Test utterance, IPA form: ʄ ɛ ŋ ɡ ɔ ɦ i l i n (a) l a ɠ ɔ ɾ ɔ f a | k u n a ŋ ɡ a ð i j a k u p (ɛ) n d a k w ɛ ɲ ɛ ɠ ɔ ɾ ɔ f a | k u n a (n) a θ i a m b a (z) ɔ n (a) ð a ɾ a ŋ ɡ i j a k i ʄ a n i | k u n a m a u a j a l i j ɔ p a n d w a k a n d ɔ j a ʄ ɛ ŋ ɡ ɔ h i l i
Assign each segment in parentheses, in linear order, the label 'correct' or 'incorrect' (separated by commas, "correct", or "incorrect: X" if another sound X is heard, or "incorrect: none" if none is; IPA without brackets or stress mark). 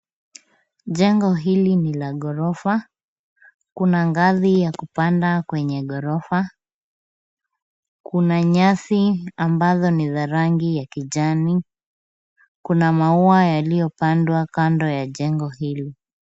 incorrect: i, incorrect: a, incorrect: ɲ, correct, incorrect: i